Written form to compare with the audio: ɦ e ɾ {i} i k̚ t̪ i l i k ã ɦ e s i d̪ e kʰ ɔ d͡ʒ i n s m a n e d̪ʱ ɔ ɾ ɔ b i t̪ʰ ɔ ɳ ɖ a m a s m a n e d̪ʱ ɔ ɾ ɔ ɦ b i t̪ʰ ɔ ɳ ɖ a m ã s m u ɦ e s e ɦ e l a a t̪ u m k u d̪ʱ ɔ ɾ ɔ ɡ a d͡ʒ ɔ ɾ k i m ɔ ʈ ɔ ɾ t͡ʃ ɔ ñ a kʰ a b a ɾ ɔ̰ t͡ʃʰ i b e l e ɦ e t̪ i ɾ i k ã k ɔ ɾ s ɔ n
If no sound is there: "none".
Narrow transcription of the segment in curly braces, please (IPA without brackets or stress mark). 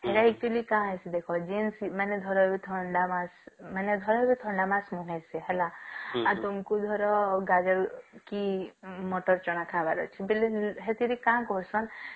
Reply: a